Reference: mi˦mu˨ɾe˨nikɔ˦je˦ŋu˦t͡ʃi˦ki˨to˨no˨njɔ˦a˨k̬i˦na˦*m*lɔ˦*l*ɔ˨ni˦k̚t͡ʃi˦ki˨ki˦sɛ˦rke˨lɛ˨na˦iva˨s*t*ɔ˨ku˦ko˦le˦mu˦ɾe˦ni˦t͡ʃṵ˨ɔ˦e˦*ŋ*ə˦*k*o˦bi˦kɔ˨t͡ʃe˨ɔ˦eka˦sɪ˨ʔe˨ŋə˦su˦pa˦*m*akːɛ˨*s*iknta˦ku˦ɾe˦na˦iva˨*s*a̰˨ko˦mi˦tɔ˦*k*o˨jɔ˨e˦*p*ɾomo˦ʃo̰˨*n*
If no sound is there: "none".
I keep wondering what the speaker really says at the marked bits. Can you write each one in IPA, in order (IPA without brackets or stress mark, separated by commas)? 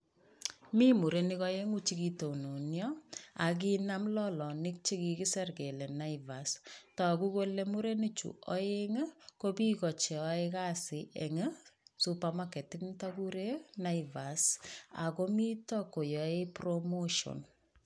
m, l, t, ŋ, k, m, t, s, k, p, n